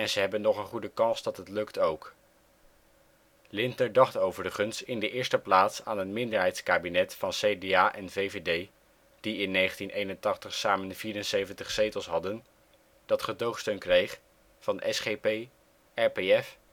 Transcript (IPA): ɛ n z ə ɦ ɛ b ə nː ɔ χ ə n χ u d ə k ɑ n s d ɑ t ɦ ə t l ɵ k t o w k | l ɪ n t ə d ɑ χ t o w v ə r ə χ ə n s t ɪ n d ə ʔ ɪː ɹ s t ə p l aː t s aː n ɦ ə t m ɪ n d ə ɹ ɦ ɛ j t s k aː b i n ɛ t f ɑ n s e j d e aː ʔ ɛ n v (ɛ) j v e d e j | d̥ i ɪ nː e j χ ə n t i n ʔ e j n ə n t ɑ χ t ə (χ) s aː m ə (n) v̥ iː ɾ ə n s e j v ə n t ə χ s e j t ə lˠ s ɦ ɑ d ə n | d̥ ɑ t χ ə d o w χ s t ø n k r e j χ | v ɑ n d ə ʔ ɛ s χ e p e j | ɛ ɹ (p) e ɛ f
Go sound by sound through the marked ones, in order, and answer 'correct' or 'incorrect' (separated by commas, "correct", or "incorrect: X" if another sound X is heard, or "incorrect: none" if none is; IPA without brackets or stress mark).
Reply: incorrect: e, correct, correct, correct